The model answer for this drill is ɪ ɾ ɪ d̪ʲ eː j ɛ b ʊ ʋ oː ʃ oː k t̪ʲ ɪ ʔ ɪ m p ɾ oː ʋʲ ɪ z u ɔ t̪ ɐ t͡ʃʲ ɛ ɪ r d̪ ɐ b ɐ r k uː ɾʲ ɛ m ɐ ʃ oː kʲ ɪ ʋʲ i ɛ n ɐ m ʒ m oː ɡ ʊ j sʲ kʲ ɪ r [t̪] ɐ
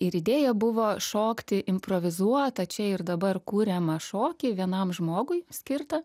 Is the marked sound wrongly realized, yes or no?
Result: no